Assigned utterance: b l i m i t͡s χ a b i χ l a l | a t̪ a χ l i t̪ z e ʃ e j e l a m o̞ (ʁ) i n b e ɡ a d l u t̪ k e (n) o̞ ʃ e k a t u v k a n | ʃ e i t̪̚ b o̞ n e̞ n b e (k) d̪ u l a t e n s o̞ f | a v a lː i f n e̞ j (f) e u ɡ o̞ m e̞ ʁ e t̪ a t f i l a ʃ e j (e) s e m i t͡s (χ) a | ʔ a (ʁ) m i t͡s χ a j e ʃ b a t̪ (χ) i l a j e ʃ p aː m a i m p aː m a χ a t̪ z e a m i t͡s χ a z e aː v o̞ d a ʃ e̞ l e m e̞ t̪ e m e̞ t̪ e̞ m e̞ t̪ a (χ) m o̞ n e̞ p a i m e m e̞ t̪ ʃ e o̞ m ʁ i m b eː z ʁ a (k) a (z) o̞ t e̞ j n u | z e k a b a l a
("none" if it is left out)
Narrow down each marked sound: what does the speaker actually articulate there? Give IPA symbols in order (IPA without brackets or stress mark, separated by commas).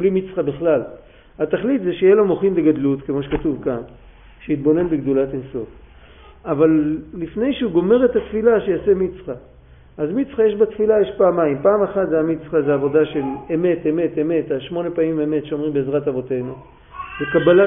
χ, m, ɡ, ʃ, a, χ, z, f, ʃ, t, v